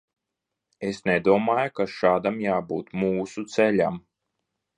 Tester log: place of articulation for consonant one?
alveolar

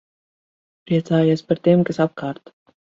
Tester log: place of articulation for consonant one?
labial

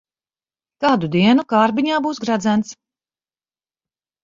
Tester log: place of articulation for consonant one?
velar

